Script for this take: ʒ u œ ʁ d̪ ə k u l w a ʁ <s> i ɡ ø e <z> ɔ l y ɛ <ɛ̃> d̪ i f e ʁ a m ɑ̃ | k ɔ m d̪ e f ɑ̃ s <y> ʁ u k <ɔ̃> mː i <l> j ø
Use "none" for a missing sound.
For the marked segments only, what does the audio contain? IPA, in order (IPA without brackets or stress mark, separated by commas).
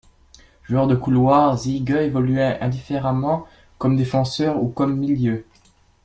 z, v, ɛ̃, œ, ɔ, l